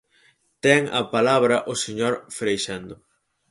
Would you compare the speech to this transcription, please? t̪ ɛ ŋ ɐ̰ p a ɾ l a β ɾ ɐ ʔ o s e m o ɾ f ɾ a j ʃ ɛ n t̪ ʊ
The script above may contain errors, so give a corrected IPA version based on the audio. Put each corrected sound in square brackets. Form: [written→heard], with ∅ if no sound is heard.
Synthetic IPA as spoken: t̪ ɛ ŋ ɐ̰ p a [ɾ→∅] l a β ɾ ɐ ʔ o s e [m→ɲ] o ɾ f ɾ [a→e] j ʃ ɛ n [t̪→d̪] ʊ